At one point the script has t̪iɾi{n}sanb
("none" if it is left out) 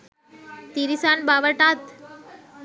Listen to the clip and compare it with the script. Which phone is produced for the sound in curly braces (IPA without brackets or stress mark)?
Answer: none